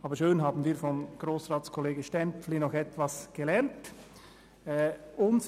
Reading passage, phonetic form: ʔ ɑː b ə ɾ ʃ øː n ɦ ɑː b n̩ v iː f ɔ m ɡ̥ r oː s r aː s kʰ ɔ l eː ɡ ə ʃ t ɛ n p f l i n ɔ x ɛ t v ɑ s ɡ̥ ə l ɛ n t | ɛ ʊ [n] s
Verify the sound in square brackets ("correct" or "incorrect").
correct